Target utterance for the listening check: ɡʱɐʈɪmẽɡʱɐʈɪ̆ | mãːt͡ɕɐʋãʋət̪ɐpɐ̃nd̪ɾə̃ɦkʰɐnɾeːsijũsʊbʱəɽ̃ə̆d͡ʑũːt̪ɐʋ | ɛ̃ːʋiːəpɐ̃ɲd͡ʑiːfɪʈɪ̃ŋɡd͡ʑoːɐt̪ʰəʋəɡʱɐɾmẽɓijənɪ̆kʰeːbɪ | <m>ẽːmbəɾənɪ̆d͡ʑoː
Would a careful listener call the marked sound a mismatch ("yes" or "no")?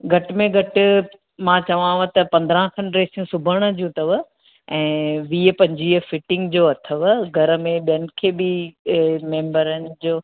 no